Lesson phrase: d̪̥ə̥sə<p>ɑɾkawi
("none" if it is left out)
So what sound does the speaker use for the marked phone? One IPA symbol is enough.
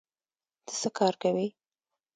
k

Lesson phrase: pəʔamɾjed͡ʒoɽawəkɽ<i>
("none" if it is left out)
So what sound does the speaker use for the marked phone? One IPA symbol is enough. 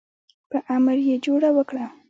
a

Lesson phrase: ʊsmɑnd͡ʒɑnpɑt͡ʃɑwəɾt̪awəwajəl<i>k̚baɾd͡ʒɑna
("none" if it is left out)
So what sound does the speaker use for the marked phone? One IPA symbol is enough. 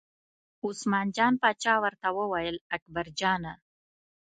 a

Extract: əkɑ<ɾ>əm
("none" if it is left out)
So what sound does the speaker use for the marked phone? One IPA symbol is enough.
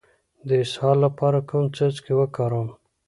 ɾ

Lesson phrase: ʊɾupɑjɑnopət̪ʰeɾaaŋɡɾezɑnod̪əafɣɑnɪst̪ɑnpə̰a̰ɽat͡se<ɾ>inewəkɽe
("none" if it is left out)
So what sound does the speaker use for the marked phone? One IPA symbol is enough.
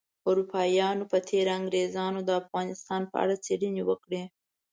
ɽ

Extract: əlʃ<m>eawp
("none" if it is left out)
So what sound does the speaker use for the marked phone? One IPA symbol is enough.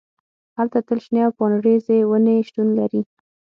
n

